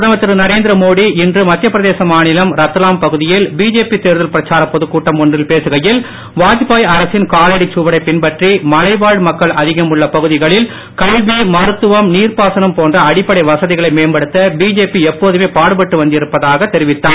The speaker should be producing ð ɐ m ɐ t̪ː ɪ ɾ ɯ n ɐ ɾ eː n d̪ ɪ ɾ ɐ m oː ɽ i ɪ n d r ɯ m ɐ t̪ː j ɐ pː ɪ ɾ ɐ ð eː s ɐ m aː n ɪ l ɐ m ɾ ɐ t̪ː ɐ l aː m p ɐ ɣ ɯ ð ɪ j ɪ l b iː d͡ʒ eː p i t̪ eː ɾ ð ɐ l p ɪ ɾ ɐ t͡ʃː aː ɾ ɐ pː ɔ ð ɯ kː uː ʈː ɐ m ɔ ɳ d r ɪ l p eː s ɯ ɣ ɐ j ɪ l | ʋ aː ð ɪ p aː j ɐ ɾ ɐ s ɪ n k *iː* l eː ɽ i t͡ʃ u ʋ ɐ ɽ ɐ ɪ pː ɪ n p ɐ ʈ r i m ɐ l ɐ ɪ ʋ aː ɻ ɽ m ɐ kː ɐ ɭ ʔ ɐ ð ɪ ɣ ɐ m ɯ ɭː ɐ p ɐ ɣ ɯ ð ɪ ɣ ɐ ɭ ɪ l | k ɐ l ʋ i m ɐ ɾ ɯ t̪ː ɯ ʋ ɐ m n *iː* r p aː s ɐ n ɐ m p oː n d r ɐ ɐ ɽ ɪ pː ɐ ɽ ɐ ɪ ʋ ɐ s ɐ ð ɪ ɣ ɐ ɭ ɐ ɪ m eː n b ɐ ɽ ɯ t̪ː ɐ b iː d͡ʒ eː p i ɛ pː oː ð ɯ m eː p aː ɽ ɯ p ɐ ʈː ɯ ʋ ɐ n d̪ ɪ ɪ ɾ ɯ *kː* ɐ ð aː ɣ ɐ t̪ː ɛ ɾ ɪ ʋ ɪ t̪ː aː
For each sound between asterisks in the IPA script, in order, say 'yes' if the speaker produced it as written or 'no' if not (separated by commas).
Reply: no, yes, no